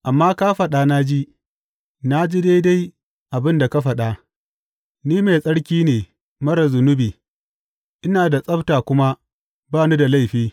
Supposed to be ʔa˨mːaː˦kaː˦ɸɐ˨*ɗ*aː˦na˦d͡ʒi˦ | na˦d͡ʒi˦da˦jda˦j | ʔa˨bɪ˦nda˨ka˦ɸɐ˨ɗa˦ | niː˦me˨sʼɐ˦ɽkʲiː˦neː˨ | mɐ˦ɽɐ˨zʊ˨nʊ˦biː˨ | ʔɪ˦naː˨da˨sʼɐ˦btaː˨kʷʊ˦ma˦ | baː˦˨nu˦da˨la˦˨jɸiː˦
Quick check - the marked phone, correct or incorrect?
correct